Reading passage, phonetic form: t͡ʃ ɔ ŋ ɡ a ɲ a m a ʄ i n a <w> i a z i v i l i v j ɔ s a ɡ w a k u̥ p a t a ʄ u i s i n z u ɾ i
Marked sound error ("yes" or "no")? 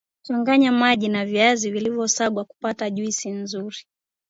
yes